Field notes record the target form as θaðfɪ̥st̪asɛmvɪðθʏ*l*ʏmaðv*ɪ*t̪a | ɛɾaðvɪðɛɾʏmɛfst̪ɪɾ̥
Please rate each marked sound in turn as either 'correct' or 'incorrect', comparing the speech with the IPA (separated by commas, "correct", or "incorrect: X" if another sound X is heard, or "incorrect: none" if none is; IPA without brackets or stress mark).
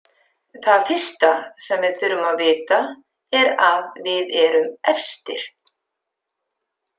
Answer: incorrect: ɾ, incorrect: ɪː